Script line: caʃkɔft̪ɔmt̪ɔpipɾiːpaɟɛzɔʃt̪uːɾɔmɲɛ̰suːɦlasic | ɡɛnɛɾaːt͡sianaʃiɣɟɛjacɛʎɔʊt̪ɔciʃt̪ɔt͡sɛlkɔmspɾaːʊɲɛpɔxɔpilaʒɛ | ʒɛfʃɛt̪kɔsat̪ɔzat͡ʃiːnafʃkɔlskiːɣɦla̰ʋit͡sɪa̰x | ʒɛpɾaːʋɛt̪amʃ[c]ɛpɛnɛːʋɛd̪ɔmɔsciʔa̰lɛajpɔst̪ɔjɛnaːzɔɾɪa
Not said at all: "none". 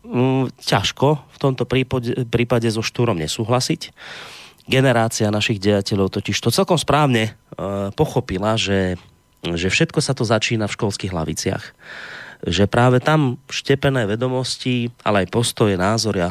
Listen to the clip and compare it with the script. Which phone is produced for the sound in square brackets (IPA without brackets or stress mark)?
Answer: c